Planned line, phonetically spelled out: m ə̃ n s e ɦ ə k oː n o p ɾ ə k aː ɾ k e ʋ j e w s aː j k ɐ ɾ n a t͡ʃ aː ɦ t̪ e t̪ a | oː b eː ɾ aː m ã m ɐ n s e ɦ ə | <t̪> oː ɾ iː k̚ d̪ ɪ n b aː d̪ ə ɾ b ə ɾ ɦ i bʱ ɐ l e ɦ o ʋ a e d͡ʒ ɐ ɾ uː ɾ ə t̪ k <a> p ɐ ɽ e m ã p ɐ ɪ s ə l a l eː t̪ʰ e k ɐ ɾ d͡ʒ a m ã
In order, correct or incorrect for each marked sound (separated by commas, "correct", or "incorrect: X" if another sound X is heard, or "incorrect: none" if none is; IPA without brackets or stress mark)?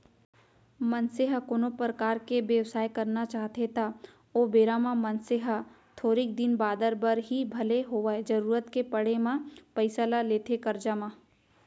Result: incorrect: t̪ʰ, incorrect: e